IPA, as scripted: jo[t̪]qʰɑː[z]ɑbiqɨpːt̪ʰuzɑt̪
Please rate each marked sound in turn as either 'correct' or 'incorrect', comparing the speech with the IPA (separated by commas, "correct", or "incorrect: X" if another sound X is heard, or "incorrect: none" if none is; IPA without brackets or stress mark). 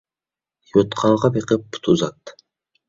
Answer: correct, incorrect: ʁ